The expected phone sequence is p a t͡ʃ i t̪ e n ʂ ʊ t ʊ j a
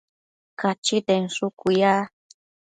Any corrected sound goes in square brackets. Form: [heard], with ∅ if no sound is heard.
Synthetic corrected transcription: [k] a t͡ʃ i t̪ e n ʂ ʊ [k] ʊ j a